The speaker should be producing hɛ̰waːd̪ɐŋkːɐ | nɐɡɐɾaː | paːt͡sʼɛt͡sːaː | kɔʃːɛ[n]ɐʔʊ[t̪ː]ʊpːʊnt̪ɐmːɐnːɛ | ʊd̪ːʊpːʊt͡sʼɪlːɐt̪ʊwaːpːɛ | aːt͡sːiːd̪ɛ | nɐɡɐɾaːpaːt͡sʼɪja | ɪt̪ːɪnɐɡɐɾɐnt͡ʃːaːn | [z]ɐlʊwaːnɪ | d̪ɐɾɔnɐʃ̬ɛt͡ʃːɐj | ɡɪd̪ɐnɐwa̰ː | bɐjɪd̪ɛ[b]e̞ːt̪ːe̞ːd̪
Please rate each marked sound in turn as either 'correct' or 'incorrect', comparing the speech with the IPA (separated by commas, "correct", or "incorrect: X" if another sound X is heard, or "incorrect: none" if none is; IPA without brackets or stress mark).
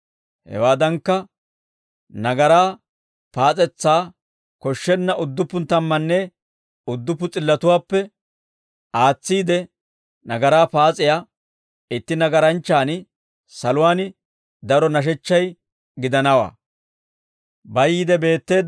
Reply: incorrect: nː, incorrect: d̪ː, incorrect: s, correct